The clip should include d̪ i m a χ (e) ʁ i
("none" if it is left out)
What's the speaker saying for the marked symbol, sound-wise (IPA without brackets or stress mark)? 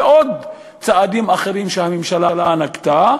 e